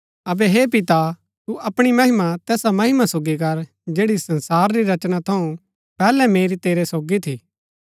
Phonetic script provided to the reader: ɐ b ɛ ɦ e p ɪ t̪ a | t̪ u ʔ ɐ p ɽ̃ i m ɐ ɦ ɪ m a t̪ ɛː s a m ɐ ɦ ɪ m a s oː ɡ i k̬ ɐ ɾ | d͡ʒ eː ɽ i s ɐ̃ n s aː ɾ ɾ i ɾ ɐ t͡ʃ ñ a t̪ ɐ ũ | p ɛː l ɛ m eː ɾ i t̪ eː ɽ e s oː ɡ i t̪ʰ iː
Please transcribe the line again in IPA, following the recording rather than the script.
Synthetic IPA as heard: ɐ b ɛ ɦ e p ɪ t̪ a | t̪ u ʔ ɐ p ɽ̃ i m ɐ ɦ ɪ m a t̪ ɛː s a m ɐ ɦ ɪ m a s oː ɡ i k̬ ɐ ɾ | d͡ʒ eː ɽ i s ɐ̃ n s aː ɾ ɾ i ɾ ɐ t͡ʃ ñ a t̪ʰ ɐ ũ | p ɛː l ɛ m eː ɾ i t̪ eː ɾ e s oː ɡ i t̪ʰ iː